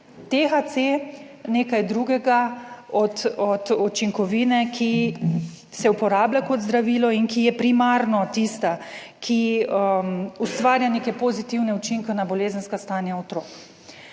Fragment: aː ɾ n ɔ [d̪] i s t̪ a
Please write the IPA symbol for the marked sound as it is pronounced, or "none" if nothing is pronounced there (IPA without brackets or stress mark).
t̪